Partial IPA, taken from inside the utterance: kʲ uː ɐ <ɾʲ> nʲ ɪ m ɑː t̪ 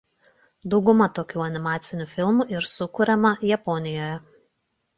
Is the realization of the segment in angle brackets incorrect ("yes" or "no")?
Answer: yes